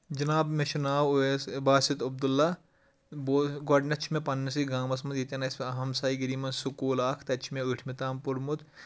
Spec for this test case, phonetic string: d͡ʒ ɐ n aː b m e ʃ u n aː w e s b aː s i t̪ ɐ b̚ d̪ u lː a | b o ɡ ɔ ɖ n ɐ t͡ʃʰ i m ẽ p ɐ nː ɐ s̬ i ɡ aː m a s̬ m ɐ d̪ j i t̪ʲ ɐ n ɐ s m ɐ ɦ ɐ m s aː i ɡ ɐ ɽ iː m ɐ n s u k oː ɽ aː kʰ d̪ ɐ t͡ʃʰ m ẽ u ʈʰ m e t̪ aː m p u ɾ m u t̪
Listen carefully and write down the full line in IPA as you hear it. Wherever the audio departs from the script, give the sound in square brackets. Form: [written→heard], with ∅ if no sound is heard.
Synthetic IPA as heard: d͡ʒ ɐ n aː b m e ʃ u n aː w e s b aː s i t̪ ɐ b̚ d̪ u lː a | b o ɡ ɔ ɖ n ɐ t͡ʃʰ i m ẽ p ɐ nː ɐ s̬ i ɡ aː m [a→ɐ] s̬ m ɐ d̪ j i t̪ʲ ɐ n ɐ s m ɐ ɦ ɐ m s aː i ɡ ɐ [ɽ→ɾ] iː m ɐ n s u k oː [ɽ→l] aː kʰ [d̪→t̪] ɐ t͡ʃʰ m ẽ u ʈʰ m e t̪ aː m p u ɾ m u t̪